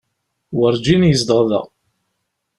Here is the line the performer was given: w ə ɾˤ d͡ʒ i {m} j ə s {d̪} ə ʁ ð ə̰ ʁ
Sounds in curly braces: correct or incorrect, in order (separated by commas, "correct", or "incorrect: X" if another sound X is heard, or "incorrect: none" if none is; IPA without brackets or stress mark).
incorrect: n, correct